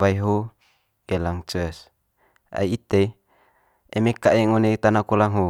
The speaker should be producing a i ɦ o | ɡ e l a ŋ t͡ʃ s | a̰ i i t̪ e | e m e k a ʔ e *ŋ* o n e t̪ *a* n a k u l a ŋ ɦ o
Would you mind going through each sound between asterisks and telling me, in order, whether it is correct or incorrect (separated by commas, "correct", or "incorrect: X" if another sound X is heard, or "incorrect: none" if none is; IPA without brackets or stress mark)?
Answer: correct, correct